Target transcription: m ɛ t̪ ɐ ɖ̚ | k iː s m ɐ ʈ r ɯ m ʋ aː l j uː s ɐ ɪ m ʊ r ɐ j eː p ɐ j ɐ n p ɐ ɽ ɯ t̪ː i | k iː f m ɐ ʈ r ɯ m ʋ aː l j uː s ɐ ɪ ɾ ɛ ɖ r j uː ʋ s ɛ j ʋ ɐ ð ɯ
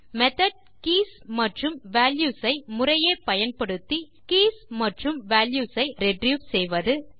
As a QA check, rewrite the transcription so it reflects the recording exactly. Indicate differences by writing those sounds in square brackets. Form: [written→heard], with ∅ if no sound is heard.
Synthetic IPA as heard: m ɛ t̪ ɐ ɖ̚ | k iː s m ɐ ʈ r ɯ m ʋ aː l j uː s ɐ ɪ m ʊ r ɐ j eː p ɐ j ɐ n p ɐ ɽ ɯ t̪ː i | k iː [f→s] m ɐ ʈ r ɯ m ʋ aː l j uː s ɐ ɪ ɾ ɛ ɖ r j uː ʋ s ɛ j ʋ ɐ ð ɯ